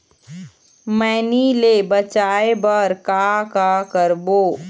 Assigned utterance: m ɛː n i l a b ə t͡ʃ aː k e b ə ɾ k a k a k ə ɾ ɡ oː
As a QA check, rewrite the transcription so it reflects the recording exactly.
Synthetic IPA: m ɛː n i l e b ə t͡ʃ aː e b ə ɾ k a k a k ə ɾ b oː